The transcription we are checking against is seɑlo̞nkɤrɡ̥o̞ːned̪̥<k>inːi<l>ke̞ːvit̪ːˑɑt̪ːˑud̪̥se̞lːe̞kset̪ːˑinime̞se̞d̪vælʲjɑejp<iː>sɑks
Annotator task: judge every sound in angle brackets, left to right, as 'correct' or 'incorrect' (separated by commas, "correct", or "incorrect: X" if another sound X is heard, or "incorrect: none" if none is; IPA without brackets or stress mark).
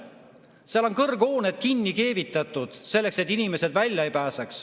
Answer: correct, incorrect: none, incorrect: æː